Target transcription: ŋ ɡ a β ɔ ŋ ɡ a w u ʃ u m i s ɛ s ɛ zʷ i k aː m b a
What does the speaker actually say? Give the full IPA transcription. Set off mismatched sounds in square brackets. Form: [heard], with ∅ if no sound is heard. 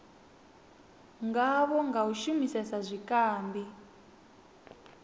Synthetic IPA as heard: ŋ ɡ a β ɔ ŋ ɡ a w u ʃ u m i s ɛ s [a] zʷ i k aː m b [i]